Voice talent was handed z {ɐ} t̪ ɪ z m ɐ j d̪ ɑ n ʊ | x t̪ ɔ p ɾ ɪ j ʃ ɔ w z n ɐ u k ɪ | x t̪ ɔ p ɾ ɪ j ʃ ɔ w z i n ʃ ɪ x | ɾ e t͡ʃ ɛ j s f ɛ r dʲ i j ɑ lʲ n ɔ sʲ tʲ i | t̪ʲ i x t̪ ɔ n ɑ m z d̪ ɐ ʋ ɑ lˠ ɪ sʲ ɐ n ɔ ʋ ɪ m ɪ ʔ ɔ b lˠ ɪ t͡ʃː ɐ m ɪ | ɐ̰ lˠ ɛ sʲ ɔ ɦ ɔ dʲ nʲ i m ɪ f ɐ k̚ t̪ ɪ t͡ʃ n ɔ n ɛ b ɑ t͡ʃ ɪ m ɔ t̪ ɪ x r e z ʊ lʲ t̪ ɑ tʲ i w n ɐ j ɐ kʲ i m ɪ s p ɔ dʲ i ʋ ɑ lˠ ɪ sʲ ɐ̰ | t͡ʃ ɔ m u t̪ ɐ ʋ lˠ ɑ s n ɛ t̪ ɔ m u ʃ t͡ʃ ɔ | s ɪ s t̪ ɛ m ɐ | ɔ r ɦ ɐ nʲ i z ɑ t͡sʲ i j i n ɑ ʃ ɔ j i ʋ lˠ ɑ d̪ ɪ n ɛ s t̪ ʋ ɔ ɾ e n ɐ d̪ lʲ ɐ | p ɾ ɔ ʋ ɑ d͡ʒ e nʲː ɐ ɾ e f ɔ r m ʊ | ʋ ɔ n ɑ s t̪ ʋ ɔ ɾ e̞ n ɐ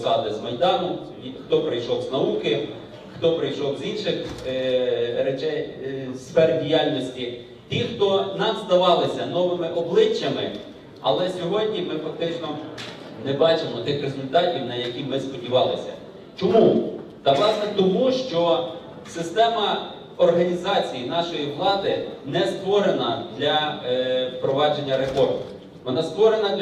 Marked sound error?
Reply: yes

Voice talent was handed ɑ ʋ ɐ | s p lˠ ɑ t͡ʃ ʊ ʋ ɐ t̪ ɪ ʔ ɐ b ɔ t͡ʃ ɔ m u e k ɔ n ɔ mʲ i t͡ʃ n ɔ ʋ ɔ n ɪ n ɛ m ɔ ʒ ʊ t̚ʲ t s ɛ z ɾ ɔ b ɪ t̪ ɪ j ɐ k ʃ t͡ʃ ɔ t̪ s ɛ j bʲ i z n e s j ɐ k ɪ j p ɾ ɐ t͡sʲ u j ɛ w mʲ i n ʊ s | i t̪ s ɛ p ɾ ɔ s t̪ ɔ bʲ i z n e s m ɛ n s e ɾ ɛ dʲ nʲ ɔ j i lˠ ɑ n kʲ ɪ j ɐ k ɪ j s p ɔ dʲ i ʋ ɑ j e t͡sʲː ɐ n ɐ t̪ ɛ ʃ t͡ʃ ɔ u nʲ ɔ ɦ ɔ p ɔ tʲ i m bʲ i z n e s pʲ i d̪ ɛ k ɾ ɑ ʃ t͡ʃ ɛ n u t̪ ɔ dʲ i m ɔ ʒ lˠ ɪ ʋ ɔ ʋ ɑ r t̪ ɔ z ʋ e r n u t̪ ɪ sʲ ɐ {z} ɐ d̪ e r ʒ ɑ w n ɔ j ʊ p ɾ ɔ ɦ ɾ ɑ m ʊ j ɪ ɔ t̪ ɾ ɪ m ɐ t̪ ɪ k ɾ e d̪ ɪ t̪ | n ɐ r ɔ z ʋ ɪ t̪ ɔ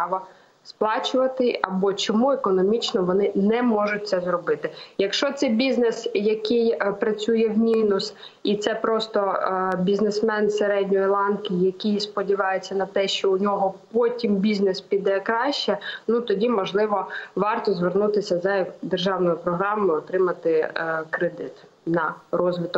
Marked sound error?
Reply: no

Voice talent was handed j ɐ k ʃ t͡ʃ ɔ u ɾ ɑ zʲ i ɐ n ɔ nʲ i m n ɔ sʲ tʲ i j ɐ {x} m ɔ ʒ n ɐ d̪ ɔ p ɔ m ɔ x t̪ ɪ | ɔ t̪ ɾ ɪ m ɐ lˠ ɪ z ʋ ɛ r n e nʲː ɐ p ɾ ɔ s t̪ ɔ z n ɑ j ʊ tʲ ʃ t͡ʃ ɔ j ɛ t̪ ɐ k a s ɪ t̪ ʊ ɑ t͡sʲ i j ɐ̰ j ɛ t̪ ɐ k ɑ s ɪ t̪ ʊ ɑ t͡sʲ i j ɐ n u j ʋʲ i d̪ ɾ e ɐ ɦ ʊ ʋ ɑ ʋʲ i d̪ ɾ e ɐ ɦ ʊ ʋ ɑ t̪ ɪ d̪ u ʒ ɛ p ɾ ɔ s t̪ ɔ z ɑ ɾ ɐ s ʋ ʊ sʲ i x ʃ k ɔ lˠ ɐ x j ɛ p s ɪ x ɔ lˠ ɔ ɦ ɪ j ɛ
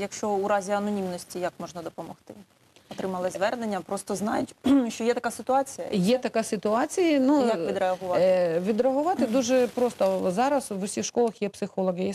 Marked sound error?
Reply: yes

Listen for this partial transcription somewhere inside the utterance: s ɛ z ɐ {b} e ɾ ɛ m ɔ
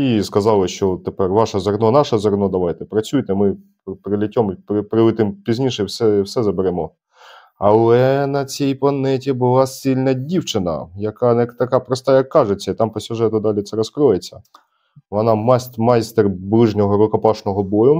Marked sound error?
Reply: no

